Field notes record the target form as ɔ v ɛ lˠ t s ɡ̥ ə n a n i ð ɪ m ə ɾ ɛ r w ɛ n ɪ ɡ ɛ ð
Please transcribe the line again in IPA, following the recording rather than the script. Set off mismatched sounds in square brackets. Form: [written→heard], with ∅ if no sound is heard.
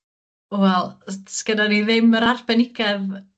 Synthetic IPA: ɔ [v→w] ɛ lˠ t s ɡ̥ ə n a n i ð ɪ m ə ɾ [ɛ→a] r [w→b] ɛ n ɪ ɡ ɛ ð